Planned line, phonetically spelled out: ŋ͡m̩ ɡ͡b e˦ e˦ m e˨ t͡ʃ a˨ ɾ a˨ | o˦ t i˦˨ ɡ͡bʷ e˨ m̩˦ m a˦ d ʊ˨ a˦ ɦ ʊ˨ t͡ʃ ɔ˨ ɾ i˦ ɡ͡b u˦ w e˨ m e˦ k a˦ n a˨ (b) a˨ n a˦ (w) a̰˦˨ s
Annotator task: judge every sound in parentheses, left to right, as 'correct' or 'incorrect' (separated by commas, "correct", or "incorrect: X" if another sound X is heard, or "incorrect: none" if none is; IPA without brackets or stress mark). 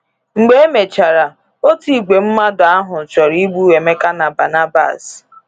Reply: correct, incorrect: b